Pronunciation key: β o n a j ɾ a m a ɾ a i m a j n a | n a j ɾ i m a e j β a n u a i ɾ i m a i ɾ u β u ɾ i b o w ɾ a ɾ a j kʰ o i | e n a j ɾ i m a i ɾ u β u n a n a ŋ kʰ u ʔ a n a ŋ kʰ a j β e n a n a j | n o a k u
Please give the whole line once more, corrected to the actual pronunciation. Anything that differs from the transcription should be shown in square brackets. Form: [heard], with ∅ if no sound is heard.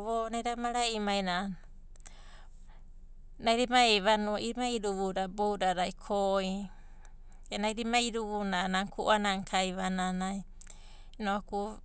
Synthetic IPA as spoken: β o n a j ɾ a m a ɾ a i m a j n a | n a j ɾ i m a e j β a n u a i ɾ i m a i ɾ u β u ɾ [a] b o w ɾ a ɾ a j kʰ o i | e n a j ɾ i m a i ɾ u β u n a n a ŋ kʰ u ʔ a n a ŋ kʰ a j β [a] n a n a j | n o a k u